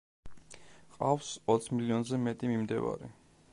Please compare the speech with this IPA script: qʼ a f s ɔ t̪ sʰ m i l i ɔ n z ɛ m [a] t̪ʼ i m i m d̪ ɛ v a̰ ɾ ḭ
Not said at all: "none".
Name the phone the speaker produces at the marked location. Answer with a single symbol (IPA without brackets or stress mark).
ɛ